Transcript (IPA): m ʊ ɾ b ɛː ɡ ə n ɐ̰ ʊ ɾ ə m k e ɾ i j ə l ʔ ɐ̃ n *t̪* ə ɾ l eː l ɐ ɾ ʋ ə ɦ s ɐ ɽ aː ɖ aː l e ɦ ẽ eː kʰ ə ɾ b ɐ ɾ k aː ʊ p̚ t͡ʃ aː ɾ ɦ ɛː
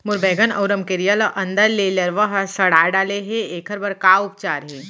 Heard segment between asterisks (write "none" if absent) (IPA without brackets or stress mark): d̪